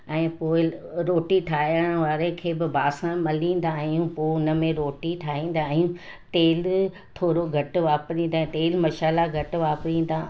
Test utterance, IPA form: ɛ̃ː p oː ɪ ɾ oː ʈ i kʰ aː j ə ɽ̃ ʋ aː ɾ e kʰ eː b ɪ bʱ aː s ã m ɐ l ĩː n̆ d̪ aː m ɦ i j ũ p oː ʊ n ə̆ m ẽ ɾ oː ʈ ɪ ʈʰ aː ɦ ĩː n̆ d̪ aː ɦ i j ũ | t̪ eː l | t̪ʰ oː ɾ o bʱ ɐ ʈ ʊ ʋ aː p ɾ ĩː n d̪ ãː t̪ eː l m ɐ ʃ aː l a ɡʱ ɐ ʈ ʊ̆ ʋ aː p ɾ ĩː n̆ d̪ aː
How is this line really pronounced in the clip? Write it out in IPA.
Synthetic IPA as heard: ɛ̃ː p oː ɪ ɾ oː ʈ i ʈʰ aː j ə ɽ̃ ʋ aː ɾ e kʰ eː b ɪ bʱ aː s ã m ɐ l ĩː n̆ d̪ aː ɦ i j ũ p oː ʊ n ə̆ m ẽ ɾ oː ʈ i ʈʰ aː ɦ ĩː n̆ d̪ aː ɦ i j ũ | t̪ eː l | t̪ʰ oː ɾ o ɡʱ ɐ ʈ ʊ ʋ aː p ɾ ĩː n d̪ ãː t̪ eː l m ɐ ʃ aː l a ɡʱ ɐ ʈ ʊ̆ ʋ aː p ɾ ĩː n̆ d̪ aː